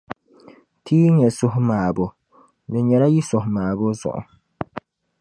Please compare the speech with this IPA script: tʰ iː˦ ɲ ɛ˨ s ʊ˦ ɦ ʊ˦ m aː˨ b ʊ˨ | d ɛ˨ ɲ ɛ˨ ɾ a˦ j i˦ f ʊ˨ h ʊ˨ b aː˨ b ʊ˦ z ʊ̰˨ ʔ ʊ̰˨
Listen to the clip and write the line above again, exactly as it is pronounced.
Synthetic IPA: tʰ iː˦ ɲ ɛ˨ s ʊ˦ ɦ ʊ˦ m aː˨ b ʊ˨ | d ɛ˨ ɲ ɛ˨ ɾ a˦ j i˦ s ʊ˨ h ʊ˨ m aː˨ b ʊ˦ z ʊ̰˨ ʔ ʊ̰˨